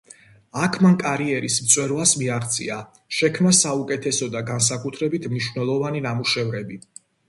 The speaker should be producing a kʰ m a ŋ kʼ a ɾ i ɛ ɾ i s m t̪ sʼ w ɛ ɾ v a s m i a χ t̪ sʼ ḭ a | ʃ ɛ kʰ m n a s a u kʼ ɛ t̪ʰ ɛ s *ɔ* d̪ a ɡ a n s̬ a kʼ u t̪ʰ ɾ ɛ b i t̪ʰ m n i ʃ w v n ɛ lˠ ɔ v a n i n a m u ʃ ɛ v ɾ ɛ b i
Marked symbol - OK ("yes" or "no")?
yes